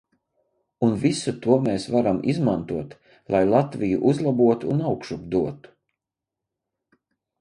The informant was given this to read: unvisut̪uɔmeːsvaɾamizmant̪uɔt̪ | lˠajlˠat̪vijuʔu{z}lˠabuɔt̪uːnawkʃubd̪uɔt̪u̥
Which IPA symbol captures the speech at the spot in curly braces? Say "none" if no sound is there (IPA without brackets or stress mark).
z